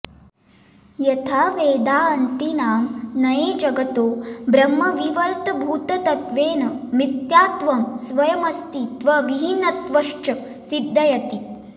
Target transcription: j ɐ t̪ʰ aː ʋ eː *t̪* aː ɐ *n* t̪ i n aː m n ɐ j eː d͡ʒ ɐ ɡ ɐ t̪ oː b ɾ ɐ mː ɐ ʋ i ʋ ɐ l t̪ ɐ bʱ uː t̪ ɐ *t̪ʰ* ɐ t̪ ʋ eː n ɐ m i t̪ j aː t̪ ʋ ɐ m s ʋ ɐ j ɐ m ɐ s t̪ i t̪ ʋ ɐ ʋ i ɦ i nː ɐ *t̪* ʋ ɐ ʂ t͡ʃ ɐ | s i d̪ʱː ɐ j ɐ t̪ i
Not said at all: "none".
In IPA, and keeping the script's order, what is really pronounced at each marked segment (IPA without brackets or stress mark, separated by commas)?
d̪, n, t̪, t̪